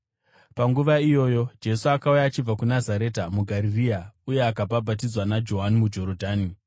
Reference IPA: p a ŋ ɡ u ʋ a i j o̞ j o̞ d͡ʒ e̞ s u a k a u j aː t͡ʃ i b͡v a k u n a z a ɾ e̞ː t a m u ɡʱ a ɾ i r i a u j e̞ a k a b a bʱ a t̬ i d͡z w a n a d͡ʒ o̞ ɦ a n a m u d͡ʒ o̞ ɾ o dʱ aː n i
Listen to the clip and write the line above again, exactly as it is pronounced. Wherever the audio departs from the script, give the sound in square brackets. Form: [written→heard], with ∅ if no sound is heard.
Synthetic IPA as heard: p a ŋ ɡ u ʋ a i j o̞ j o̞ d͡ʒ e̞ s u a k a u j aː t͡ʃ i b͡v a k u n a z a ɾ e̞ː t a m u ɡʱ a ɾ i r i a u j e̞ a k a b a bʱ a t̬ i d͡z w a n a d͡ʒ o̞ ɦ a n [a→i] m u d͡ʒ o̞ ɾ o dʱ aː n i